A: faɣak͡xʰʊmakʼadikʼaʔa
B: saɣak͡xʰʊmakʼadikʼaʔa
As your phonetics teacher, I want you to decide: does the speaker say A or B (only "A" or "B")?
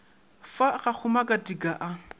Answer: A